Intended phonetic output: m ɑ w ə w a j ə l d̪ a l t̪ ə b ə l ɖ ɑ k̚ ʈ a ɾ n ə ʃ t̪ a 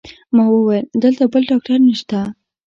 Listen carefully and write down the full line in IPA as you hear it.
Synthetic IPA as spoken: m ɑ w ə w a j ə l d̪ ə l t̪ a b ə l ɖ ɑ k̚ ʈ a ɾ n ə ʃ t̪ a